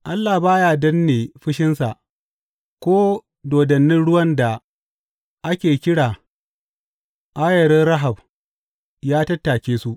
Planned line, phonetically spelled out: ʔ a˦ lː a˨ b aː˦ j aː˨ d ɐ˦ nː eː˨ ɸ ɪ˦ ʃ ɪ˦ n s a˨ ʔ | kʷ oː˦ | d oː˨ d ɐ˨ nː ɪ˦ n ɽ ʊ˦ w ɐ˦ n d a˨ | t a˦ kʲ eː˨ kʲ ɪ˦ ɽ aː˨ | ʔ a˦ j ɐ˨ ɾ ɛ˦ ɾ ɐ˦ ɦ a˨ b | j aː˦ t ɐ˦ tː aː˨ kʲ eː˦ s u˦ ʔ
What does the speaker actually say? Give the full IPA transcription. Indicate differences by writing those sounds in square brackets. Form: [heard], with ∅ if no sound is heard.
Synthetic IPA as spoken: ʔ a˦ lː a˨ b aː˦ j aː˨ d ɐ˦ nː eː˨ ɸ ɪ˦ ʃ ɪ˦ n s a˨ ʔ | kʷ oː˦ | d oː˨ d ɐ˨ nː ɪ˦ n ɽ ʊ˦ w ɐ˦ n d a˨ | [ʔ] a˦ kʲ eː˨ kʲ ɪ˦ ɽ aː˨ | ʔ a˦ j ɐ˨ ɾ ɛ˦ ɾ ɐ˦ ɦ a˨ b | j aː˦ t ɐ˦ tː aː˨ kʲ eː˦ s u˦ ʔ